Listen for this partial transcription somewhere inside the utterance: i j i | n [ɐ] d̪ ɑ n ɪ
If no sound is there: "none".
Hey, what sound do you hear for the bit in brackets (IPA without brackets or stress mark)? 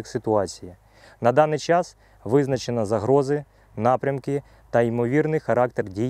ɐ